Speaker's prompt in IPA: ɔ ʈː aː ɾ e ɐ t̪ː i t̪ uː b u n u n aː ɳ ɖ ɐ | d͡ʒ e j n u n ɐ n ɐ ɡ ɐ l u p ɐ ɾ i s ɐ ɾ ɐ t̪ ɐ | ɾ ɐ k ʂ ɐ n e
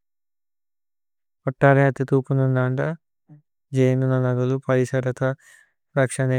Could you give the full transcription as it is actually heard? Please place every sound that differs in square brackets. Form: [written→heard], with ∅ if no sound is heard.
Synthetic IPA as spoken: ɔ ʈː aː ɾ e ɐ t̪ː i t̪ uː [b→p] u n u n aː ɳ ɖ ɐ | d͡ʒ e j n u n ɐ n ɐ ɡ ɐ l u p ɐ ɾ i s ɐ ɾ ɐ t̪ ɐ | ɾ ɐ k ʂ ɐ n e

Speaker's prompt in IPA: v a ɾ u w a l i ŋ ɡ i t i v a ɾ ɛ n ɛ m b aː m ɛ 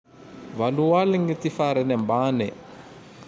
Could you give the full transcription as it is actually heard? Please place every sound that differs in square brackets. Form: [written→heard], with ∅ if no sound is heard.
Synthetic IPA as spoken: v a [ɾ→l] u w a l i ŋ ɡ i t i [v→f] a ɾ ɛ n ɛ m b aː [m→n] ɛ

